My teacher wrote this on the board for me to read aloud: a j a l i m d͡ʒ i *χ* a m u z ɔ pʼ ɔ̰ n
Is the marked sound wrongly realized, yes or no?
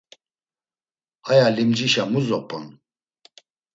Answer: yes